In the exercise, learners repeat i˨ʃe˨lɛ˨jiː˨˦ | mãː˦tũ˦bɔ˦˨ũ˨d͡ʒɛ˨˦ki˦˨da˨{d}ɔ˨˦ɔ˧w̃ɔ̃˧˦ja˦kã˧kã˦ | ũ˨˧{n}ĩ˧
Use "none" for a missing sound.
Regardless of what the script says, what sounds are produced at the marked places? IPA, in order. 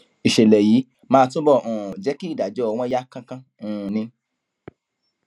d͡ʒ, n

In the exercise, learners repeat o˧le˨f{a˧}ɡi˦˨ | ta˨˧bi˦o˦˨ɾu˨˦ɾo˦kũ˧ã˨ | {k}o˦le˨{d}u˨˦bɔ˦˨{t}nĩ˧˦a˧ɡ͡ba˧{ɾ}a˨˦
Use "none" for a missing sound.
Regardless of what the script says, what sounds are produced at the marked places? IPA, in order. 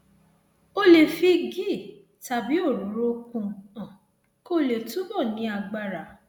i˧, k, t, none, ɾ

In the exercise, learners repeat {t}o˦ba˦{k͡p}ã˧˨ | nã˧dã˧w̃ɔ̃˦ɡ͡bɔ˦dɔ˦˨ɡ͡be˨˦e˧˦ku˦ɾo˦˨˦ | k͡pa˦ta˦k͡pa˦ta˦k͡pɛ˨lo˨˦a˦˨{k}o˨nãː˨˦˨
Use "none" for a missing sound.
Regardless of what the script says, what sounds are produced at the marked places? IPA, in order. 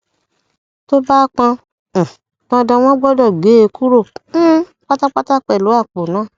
t, k͡p, k͡p

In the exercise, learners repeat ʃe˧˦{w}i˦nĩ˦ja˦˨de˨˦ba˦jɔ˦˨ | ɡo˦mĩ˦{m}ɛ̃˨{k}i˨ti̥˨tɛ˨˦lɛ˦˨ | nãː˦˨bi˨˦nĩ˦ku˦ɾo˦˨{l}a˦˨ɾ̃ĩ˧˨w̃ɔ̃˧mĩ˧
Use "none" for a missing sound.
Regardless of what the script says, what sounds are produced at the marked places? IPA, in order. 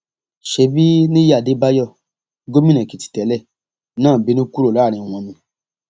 b, n, k, l

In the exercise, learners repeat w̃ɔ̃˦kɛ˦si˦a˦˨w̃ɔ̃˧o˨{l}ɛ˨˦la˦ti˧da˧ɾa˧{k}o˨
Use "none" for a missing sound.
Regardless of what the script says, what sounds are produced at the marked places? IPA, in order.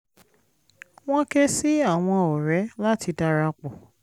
ɾ, k͡p

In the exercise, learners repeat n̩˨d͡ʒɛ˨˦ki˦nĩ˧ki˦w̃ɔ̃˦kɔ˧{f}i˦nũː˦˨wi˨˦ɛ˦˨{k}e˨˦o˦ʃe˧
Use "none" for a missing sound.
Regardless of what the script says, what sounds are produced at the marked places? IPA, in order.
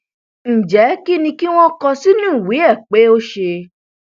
s, k͡p

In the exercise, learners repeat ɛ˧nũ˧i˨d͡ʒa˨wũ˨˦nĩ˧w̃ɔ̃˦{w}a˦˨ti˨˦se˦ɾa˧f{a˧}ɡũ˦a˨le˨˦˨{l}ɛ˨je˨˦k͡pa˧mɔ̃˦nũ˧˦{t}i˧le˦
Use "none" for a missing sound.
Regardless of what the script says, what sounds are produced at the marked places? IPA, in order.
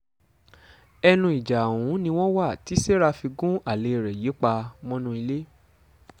w, i˧, ɾ, none

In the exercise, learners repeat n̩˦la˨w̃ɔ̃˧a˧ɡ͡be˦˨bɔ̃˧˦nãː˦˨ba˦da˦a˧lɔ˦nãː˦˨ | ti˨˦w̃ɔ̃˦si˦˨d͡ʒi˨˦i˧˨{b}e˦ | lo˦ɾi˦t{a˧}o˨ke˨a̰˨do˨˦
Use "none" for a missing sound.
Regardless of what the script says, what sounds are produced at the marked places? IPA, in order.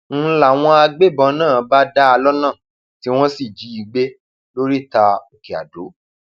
ɡ͡b, a˧

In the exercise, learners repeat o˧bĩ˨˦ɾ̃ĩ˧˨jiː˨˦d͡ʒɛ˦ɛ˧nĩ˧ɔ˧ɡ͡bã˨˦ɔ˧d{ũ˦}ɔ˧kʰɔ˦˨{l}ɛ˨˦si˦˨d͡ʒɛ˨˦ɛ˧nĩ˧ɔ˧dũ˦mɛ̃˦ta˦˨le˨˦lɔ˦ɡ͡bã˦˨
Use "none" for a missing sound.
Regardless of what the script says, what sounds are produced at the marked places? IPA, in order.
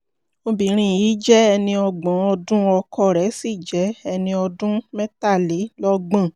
ũ˦, ɾ

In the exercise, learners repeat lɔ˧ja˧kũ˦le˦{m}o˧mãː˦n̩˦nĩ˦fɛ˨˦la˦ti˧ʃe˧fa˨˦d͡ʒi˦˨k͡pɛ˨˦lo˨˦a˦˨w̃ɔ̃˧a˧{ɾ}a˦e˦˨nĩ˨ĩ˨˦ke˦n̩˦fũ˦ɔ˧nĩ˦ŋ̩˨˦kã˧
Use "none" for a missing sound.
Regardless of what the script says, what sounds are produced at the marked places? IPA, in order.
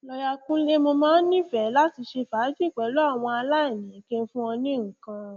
m, l

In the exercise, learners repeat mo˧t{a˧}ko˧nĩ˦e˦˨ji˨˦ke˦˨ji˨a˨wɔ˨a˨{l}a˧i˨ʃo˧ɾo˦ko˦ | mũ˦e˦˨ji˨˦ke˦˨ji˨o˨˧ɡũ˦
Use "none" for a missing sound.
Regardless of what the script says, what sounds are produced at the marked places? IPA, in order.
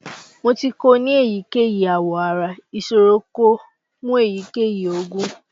i˧, ɾ

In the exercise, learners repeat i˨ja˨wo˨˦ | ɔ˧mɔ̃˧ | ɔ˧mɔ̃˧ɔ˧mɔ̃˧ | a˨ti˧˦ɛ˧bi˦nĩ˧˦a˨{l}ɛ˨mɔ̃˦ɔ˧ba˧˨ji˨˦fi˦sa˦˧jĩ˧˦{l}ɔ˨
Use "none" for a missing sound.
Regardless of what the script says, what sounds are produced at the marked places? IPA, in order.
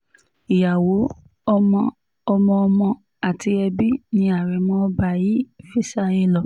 ɾ, l

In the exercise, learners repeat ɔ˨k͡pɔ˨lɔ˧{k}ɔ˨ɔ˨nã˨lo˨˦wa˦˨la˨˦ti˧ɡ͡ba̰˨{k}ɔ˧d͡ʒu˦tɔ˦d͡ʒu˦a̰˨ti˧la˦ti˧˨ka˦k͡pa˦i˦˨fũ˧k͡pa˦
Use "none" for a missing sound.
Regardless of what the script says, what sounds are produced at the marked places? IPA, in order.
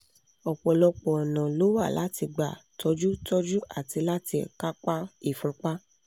k͡p, t

